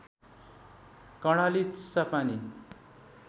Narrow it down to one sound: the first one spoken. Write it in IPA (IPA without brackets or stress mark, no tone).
k